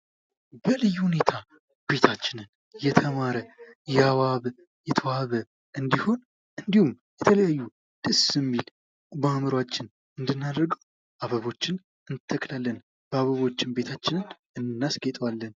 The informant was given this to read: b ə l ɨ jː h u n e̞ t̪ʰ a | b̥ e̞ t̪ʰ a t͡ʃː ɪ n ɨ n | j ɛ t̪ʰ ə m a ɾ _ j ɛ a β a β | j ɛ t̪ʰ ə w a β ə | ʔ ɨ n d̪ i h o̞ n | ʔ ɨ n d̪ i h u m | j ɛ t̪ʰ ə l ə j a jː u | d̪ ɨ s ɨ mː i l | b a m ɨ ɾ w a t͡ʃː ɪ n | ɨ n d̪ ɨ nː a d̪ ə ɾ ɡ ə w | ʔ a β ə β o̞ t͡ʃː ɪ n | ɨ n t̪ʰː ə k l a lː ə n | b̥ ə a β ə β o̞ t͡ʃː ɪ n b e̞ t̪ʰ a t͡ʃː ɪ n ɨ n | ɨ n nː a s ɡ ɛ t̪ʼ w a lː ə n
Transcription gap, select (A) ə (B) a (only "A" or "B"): A